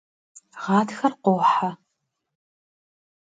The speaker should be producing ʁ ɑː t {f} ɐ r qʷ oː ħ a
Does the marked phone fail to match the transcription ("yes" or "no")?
yes